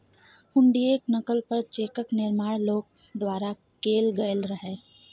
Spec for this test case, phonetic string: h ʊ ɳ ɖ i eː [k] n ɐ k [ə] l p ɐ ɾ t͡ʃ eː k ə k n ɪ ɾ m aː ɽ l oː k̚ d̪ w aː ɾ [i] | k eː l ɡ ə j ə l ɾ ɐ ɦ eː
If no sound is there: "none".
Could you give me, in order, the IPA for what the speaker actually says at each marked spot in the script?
k, ə, a

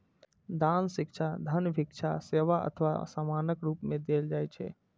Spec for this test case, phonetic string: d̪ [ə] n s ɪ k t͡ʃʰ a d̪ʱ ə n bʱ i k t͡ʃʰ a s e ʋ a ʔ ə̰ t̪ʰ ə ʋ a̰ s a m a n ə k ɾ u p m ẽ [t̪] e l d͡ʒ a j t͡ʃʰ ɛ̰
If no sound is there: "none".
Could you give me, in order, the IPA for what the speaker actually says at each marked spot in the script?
a, d̪

